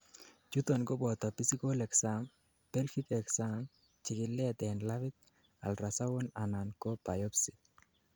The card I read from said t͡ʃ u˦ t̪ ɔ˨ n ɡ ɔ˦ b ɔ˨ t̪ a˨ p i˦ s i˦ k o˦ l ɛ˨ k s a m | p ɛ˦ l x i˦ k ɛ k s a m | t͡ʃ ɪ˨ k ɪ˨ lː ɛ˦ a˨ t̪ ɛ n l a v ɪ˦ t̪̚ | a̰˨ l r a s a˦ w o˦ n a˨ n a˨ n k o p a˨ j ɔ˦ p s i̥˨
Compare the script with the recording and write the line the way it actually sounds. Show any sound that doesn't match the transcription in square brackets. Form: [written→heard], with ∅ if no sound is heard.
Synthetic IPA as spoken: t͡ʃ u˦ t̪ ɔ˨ n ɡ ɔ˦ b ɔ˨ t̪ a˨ p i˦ s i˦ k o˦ l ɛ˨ k s a m | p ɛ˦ l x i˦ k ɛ k s a m | t͡ʃ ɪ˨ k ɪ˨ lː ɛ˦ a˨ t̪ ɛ n l a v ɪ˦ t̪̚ | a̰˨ l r a s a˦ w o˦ n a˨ n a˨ n k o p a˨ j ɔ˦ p s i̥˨